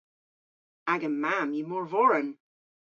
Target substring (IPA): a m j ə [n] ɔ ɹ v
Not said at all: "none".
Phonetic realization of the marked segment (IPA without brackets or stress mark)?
m